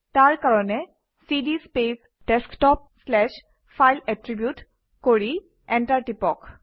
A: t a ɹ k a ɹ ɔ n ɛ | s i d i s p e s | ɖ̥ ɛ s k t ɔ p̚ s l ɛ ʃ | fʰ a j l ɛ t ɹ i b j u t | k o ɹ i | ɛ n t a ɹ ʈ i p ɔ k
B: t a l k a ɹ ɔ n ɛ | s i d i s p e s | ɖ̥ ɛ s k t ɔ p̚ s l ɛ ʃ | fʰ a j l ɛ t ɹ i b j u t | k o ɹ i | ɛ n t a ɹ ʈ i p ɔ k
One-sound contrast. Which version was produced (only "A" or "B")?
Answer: A